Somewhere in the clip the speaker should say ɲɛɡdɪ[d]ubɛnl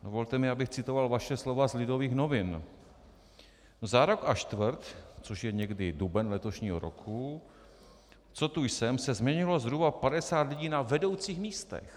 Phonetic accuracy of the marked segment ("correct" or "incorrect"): correct